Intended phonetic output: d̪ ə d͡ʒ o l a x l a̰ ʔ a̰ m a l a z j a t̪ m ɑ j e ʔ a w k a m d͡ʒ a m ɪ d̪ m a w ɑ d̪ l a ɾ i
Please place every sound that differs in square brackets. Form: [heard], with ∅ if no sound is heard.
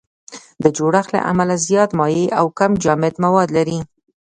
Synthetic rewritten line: d̪ ə d͡ʒ o [ɽ] a x l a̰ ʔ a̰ m a l a z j [ɑ] t̪ m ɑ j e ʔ a w k a m d͡ʒ [ɑ] m ɪ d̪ m a w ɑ d̪ l a ɾ i